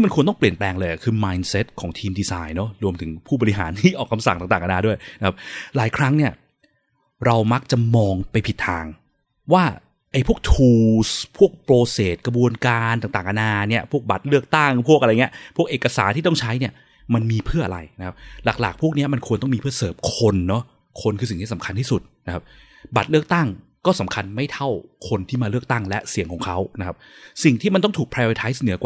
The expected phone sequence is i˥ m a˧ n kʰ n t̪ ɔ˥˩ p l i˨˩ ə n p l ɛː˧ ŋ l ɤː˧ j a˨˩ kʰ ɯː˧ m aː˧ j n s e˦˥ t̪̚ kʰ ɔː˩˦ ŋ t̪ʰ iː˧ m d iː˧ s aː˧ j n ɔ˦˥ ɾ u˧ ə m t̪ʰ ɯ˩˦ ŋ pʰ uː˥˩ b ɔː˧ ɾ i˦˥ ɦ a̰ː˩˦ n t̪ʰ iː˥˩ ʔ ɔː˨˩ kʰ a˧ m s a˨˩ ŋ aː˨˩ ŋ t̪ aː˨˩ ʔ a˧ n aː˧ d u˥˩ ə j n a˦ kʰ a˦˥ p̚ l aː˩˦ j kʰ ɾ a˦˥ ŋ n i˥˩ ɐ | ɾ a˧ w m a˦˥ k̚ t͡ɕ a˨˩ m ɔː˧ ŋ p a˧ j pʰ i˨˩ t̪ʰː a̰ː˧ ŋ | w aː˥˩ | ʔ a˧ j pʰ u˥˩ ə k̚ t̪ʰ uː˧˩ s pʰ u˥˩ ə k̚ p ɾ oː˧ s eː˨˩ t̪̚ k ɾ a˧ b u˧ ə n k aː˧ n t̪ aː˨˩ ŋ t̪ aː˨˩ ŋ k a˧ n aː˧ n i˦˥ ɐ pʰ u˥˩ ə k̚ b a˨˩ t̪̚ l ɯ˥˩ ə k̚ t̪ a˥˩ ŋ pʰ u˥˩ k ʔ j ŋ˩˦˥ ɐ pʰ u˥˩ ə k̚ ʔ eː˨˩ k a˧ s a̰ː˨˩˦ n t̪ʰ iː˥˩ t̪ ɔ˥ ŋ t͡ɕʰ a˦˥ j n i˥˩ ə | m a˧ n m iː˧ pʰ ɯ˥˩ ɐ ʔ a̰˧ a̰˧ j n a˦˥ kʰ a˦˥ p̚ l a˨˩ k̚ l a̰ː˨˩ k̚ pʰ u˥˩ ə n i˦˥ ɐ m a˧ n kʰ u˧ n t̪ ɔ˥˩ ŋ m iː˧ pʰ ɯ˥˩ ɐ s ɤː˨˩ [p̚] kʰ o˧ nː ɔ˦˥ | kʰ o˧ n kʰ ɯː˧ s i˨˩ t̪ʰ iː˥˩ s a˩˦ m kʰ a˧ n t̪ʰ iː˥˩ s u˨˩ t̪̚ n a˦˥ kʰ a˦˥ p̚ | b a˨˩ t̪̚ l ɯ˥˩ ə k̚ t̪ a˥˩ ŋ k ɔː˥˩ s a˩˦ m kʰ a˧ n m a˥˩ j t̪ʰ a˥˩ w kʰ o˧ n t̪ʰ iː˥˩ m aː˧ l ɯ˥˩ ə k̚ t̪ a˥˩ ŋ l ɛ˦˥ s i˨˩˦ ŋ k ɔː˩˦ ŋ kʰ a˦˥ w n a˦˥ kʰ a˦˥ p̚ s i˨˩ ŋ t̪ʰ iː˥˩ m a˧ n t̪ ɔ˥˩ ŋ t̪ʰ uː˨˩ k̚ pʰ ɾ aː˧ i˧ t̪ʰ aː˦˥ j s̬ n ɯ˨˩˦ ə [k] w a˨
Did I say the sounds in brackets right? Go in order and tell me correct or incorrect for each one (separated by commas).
correct, correct